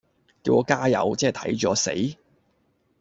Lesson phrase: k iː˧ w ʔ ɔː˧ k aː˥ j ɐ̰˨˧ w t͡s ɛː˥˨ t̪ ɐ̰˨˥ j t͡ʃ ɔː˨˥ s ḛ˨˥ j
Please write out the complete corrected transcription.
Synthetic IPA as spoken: k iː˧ w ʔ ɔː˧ k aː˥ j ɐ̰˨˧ w t͡s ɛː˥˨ t̪ʰ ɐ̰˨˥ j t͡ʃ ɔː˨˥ s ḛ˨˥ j